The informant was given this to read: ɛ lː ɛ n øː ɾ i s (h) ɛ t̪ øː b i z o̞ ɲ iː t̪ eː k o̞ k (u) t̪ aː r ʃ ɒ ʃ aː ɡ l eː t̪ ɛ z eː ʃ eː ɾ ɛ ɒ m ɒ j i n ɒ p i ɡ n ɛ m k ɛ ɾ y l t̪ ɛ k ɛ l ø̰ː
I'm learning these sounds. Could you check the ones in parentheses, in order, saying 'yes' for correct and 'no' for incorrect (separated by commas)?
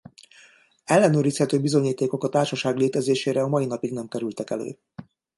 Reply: yes, no